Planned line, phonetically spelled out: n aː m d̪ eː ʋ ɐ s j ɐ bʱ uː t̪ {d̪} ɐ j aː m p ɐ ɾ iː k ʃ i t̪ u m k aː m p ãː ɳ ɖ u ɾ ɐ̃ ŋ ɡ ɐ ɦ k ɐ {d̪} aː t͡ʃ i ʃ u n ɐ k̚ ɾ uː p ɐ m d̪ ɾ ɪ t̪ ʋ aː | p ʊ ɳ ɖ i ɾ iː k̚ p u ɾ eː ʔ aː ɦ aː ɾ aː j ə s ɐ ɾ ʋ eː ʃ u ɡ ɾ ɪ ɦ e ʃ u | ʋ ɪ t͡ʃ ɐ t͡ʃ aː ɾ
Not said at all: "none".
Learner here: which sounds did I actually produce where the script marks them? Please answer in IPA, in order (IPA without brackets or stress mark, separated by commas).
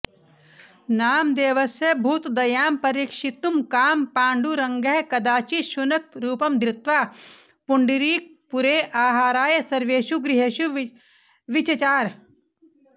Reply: d̪, d̪